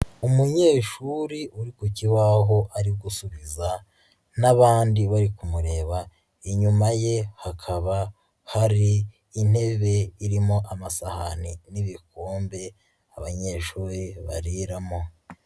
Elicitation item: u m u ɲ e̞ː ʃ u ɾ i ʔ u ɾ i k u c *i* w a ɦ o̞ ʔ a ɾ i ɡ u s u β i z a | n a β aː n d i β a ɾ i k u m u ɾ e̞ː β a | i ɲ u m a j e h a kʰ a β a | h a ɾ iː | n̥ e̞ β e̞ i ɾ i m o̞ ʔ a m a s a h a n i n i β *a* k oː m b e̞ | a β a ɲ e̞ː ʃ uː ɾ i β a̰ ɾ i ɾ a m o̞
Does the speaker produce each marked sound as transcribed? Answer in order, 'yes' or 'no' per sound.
yes, no

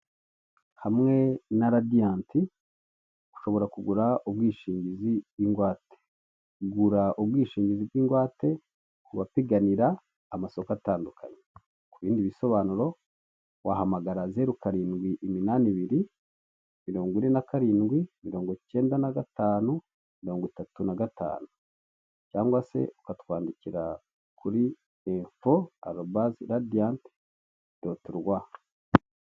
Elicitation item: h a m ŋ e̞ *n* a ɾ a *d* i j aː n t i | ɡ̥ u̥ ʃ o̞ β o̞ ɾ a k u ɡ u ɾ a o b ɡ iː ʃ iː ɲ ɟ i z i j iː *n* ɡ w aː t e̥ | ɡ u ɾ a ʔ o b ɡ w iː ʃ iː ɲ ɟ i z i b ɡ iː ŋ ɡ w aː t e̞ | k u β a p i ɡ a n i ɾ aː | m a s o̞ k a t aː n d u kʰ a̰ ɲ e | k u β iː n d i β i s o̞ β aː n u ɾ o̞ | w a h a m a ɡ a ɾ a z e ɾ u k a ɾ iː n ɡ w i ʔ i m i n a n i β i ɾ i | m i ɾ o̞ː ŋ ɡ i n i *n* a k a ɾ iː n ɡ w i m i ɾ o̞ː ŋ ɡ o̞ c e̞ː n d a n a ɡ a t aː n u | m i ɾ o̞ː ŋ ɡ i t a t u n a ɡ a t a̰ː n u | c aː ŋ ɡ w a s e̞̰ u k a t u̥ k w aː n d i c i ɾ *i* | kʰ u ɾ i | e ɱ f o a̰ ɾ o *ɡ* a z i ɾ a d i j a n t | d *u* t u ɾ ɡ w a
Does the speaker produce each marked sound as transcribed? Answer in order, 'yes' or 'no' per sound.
yes, yes, no, yes, no, no, no

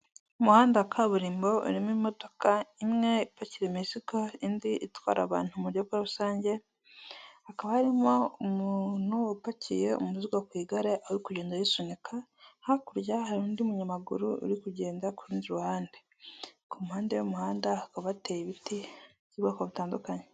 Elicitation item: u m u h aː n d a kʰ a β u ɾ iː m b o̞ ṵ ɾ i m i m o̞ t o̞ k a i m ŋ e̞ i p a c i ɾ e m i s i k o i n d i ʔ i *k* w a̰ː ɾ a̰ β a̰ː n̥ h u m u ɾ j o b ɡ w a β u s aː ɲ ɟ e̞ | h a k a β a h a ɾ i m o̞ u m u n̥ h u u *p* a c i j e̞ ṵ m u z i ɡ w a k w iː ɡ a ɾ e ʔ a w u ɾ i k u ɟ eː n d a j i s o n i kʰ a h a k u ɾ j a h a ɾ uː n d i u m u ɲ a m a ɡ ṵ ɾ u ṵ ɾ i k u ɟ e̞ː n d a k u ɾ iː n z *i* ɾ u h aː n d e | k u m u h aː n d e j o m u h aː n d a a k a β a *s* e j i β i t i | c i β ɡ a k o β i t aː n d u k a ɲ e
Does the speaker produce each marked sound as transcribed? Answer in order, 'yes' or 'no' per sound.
no, yes, yes, no

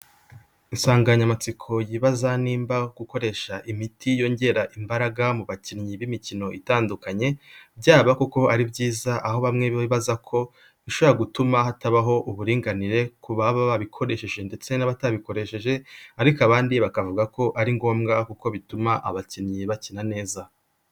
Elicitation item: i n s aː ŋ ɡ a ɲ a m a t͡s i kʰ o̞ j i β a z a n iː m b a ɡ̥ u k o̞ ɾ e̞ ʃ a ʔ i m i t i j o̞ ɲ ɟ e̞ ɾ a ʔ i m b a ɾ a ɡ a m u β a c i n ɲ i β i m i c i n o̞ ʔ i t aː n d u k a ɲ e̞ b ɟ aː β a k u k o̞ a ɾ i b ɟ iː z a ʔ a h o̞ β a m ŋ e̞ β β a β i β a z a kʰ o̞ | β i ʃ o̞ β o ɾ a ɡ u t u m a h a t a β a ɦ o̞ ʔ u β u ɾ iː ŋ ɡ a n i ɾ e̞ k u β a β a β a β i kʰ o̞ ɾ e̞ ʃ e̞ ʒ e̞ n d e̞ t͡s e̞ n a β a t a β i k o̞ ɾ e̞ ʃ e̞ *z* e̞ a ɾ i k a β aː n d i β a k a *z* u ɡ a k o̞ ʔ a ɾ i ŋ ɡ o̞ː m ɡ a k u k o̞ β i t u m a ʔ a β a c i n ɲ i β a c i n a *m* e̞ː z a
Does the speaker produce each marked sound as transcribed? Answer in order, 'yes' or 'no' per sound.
no, no, no

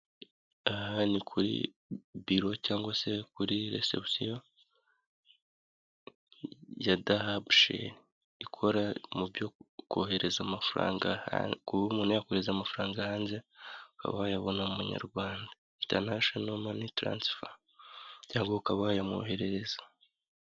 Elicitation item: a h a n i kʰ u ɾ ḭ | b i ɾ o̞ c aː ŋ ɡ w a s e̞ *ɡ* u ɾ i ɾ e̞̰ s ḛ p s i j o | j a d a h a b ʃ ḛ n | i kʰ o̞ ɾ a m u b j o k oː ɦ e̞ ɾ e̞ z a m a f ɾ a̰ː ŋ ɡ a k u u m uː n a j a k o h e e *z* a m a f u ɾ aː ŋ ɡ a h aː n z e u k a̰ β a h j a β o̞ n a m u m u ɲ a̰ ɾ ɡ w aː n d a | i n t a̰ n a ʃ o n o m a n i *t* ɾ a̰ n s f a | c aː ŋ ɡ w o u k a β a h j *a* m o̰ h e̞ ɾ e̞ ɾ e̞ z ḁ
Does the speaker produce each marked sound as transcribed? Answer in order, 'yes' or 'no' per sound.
no, yes, yes, yes

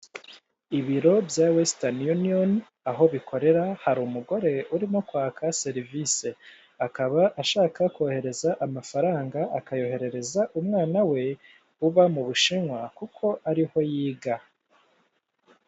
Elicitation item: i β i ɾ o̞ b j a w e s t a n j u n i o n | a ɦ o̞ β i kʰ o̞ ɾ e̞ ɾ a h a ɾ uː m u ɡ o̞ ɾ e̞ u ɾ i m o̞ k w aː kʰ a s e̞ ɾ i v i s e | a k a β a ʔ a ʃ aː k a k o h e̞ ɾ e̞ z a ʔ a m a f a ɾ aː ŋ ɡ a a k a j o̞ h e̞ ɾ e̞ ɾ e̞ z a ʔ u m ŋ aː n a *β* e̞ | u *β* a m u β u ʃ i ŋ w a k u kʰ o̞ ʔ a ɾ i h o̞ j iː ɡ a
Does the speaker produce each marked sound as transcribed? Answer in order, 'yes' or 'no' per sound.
no, yes

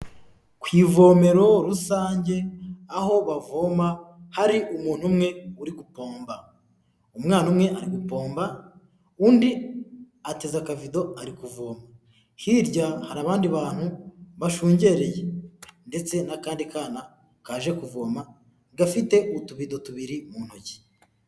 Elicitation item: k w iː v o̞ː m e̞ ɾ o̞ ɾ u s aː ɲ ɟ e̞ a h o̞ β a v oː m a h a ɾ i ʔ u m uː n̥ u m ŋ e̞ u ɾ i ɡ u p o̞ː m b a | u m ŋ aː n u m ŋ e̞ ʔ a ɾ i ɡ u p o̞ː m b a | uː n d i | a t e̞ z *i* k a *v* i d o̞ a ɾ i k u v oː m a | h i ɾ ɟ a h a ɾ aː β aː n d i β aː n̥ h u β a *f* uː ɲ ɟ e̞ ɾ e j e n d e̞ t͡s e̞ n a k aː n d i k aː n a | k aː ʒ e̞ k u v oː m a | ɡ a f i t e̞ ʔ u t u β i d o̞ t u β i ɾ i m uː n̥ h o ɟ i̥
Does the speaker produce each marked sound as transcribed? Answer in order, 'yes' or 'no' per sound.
no, yes, no

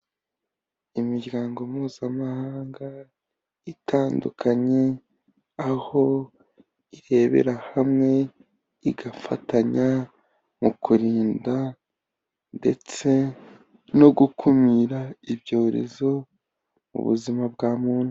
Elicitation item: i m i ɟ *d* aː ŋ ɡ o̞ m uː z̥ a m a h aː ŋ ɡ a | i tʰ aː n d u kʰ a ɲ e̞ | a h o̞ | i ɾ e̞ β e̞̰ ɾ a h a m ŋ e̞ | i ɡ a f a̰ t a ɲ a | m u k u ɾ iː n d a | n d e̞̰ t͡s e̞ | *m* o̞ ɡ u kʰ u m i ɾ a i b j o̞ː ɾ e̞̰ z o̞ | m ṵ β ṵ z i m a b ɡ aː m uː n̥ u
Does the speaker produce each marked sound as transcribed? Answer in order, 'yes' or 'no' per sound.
no, no

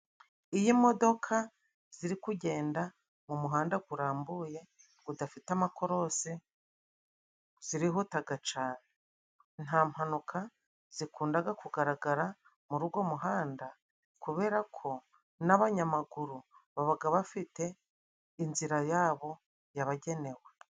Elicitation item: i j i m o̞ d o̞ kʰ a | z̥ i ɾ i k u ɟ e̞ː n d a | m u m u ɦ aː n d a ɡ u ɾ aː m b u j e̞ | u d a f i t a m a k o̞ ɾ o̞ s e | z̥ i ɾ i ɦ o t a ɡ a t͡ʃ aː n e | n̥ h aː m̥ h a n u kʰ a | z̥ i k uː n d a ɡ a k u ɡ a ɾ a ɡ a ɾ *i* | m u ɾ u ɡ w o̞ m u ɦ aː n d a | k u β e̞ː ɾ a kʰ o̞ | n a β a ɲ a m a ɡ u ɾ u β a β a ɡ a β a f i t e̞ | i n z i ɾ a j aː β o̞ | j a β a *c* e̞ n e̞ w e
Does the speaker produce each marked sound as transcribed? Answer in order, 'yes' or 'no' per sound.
no, no

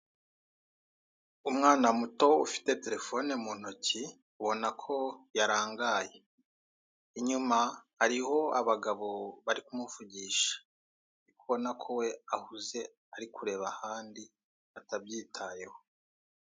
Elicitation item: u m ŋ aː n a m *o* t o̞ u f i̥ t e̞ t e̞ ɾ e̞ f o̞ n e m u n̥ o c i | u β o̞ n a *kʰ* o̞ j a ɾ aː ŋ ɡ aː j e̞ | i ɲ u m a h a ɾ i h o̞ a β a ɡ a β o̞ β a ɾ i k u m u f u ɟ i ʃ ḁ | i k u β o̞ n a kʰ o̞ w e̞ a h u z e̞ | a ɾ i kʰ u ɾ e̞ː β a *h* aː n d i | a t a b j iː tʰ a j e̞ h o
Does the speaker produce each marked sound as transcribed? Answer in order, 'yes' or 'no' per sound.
no, yes, yes

